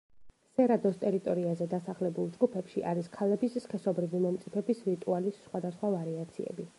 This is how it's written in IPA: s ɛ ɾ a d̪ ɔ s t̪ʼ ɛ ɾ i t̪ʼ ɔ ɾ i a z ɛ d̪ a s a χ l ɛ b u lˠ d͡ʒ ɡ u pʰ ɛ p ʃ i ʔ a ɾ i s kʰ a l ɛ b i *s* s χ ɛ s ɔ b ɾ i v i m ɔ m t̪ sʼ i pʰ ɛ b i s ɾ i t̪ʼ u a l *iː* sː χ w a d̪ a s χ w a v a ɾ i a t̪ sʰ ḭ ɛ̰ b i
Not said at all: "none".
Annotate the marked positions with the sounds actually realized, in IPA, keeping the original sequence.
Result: s, i

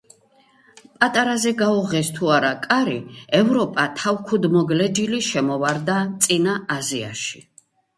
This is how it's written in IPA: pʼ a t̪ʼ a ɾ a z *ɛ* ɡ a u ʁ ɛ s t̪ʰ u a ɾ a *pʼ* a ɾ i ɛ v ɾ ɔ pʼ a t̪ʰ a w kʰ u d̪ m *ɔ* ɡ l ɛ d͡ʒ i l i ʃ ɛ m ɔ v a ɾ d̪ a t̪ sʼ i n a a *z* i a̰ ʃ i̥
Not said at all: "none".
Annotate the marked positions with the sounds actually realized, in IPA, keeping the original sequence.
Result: ɛ, kʼ, ɔ, z

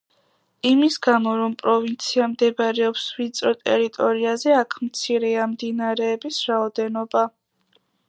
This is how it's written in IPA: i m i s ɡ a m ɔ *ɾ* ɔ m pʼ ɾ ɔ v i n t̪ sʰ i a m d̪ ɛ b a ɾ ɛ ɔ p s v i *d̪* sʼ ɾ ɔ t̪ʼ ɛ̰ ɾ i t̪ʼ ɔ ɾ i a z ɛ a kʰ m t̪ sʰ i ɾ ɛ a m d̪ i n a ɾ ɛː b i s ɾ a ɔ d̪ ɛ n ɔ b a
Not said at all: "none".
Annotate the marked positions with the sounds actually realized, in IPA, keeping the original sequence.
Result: ɾ, t̪

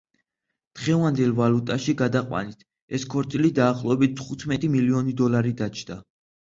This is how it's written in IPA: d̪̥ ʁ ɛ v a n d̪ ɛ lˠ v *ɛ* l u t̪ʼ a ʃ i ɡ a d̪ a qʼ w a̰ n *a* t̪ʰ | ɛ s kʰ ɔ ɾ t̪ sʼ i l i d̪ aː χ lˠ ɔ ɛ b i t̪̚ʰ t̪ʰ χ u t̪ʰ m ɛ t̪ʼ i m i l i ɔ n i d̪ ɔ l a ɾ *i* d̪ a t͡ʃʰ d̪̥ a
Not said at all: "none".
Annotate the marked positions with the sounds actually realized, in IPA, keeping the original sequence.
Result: a, i, i

